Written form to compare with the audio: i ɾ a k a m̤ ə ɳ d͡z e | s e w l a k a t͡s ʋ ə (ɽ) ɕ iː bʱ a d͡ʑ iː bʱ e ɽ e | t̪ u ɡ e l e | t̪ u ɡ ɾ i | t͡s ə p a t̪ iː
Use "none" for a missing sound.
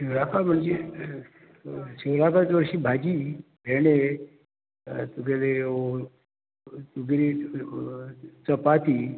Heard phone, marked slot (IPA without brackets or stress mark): ɾ